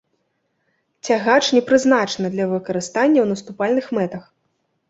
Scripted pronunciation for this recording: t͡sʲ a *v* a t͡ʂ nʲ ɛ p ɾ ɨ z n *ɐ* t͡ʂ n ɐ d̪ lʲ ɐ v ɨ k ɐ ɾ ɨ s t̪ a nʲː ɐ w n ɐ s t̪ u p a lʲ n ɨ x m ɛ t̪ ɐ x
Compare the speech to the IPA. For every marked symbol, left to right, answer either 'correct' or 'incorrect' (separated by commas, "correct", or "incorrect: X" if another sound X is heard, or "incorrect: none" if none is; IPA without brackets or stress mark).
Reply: incorrect: ɣ, incorrect: a